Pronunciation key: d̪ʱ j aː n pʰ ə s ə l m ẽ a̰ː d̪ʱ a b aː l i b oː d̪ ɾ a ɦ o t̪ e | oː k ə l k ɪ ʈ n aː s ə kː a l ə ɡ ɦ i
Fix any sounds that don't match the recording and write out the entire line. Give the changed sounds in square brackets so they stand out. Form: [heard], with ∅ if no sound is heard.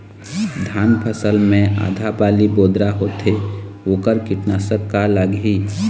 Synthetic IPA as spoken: d̪ʱ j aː n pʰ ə s ə l m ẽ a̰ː d̪ʱ a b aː l i b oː d̪ ɾ a ɦ o t̪ e | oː k ə [ɾ] k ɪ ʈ n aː s ə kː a l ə ɡ ɦ i